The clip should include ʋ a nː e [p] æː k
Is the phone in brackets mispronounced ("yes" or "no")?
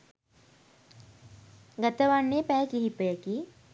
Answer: no